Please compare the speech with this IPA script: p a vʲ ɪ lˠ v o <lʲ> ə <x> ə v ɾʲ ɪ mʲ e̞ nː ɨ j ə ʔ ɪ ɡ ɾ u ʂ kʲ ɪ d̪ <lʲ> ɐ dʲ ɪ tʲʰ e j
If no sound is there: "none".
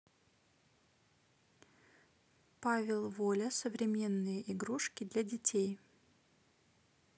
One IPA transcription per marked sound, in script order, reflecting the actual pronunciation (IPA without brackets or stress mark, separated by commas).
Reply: lʲ, s, lʲ